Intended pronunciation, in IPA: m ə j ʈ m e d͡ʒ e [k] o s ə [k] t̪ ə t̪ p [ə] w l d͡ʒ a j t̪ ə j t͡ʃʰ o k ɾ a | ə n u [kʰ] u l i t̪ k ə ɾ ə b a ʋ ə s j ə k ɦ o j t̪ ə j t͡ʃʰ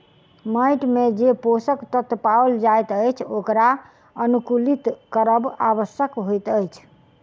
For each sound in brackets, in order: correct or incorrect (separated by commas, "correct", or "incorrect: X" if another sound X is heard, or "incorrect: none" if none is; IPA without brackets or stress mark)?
incorrect: p, correct, incorrect: a, incorrect: k